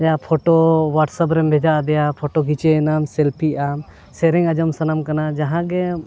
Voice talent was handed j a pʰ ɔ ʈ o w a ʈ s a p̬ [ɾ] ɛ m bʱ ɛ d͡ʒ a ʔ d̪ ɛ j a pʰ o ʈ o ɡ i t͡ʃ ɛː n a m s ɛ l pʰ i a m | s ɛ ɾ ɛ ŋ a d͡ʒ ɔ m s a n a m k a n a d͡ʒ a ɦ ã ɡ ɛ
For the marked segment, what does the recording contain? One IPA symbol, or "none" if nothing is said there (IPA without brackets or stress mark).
ɾ